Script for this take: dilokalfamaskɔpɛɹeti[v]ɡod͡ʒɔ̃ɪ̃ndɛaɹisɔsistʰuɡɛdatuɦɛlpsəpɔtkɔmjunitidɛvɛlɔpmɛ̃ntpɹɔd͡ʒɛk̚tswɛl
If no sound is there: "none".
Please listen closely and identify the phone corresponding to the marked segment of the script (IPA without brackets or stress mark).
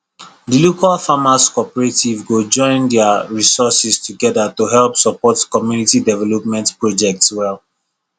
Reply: v